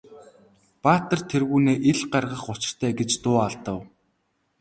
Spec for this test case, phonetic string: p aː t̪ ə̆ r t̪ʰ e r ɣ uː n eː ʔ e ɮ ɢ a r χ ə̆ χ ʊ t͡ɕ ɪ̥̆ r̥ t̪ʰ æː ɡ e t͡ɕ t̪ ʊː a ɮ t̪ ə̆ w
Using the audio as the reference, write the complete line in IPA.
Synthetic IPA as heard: p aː t̪ ə̆ r t̪ʰ e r ɣ uː n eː ʔ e ɮ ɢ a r ʁ ə̆ χ ʊ t͡ɕ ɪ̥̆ r̥ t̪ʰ æː ɡ e t͡ɕ t̪ ʊː a ɮ t̪ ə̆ w